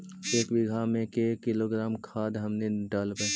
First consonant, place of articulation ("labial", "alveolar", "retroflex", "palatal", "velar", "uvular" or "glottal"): velar